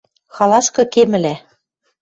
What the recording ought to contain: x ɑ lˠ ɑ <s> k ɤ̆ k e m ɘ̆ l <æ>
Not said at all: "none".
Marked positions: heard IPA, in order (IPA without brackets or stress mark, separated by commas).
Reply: s, æ